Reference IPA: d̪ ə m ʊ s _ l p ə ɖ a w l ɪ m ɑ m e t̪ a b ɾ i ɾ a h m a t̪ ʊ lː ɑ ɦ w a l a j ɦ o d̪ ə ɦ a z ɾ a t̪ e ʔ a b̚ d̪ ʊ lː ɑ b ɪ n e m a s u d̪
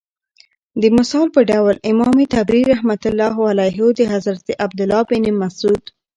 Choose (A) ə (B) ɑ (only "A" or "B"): B